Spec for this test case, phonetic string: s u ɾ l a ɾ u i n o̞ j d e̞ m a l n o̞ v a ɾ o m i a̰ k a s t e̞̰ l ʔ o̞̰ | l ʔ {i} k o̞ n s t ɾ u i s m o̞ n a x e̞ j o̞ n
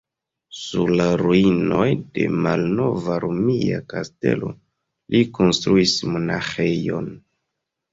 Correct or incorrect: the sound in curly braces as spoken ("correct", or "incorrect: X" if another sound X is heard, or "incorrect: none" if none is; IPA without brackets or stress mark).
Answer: correct